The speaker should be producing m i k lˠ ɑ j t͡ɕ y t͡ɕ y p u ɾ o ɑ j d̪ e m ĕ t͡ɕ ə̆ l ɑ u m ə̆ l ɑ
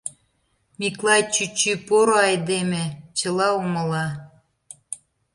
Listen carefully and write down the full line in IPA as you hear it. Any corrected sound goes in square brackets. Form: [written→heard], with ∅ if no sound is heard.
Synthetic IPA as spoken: m i k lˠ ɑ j t͡ɕ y t͡ɕ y p [u→o] ɾ o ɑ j d̪ e m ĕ t͡ɕ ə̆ l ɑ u m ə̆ l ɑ